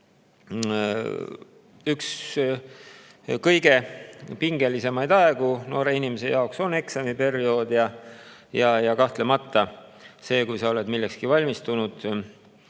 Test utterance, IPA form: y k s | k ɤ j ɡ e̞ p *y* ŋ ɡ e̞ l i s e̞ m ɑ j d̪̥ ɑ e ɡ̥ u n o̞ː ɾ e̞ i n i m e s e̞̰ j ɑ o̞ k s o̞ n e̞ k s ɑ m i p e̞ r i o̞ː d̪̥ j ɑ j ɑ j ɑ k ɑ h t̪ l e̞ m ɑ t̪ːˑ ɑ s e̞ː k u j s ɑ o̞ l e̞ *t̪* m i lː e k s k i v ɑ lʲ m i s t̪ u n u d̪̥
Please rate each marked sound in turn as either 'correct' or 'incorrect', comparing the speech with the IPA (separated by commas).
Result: incorrect, incorrect